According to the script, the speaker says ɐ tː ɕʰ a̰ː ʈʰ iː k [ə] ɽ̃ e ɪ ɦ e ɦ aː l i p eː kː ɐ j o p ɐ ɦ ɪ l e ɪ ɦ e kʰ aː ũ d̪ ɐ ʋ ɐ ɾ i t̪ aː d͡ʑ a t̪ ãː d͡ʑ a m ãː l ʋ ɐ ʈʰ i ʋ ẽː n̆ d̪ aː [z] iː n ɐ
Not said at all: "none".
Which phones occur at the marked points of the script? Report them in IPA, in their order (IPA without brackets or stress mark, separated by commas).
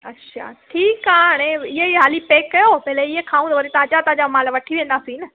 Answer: a, s